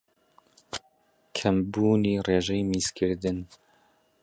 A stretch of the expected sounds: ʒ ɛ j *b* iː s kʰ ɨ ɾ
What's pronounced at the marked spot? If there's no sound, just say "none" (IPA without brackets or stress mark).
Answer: m